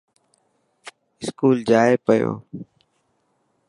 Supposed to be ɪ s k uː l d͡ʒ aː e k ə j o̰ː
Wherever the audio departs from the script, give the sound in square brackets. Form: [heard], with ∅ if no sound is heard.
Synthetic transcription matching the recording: ɪ s k uː l d͡ʒ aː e [p] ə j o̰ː